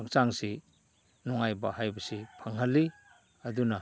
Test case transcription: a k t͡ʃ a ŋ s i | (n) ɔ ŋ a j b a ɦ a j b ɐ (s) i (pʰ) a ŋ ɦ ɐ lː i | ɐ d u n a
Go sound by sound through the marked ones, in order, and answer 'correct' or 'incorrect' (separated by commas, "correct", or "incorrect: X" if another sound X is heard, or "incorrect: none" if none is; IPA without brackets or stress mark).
correct, correct, correct